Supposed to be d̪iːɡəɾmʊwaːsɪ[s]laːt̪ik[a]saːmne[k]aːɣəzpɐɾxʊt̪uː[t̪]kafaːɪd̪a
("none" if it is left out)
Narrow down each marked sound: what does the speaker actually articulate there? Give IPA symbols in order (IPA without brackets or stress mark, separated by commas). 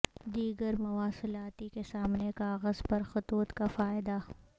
none, e, k, t̪